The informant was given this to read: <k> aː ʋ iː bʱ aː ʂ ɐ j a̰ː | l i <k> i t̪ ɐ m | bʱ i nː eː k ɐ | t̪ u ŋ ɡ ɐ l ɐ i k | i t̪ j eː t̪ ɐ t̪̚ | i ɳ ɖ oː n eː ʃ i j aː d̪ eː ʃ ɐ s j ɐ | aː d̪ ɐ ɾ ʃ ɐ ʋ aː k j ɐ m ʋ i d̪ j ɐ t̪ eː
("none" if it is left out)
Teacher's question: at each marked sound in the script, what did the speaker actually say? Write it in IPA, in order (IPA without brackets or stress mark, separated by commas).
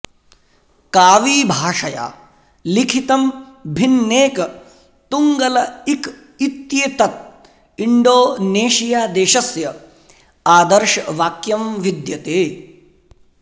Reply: k, kʰ